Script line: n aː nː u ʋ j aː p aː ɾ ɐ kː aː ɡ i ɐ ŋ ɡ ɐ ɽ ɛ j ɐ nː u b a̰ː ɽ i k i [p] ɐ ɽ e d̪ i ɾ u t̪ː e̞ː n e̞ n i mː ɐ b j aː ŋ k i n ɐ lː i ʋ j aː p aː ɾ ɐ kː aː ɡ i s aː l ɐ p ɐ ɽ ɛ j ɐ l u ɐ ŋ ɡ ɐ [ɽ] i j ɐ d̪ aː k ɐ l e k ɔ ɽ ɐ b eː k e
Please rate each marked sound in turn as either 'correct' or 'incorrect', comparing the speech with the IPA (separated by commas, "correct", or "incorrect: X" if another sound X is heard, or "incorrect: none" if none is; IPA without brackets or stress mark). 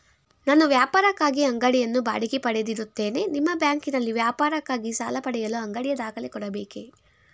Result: correct, correct